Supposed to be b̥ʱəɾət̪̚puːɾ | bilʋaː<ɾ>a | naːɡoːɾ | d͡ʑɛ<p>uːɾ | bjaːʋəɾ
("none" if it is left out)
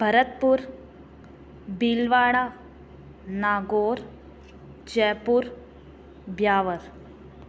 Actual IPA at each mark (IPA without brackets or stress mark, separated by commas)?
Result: ɽ, p